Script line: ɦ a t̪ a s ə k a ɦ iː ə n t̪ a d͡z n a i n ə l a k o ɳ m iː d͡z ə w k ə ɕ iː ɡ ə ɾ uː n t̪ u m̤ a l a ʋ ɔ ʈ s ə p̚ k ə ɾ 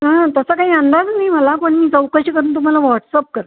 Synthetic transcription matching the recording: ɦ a t̪ ə s ə k a ɦ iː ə n d̪ a d͡z n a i m ə l a k o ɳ m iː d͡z ə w k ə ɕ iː k ə ɾ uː n t̪ u m̤ a l a ʋ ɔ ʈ s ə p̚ k ə ɾ

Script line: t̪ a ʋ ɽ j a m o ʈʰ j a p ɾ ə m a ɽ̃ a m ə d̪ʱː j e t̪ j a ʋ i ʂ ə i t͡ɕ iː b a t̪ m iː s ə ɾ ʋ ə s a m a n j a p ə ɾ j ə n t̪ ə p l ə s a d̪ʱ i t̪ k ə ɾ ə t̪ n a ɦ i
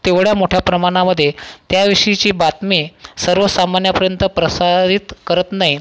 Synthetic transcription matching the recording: t̪ e ʋ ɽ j a m o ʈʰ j a p ɾ ə m a ɽ̃ a m ə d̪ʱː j e t̪ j a ʋ i ʂ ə i t͡ɕ iː b a t̪ m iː s ə ɾ ʋ ə s a m a n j a p ə ɾ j ə n t̪ ə p ɾ ə s a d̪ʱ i t̪ k ə ɾ ə t̪ n a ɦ i

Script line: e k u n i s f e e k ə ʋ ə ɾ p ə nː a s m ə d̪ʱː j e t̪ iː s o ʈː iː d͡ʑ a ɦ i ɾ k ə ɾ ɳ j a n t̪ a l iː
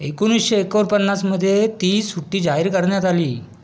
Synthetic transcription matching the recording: e k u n i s ɕ e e k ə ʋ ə ɾ p ə nː a s m ə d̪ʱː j e t̪ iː s u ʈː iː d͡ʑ a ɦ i ɾ k ə ɾ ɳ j a t̪ a l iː

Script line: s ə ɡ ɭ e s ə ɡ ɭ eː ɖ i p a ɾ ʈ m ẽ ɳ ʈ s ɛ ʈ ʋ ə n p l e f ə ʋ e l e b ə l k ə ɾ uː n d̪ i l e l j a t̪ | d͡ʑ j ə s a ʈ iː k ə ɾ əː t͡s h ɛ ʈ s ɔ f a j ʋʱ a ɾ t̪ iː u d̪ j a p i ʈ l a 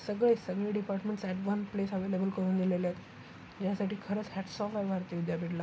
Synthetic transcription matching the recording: s ə ɡ ɭ e s ə ɡ ɭ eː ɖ i p a ɾ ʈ m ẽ ɳ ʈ s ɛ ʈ ʋ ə n p l e s ə ʋ e l e b ə l k ə ɾ uː n d̪ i l e l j a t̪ | d͡ʑ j a s a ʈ iː kʰ ə ɾ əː t͡s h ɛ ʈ s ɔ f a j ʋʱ a ɾ t̪ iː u d̪ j a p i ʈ l a

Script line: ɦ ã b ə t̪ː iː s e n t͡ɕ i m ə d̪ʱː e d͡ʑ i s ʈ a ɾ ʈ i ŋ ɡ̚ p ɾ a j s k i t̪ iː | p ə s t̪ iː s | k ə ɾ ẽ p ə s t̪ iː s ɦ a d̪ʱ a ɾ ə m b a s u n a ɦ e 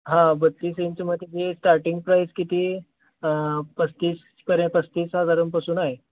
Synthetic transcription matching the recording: ɦ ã b ə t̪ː iː s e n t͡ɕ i m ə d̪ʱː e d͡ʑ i s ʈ a ɾ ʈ i ŋ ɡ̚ p ɾ a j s k i t̪ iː | p ə s t̪ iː s | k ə ɾ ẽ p ə s t̪ iː s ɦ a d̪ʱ a ɾ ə m p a s uː n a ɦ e

